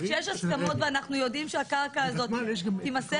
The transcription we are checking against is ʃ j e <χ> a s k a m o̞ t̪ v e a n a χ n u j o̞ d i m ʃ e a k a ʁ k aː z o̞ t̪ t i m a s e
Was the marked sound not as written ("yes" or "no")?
yes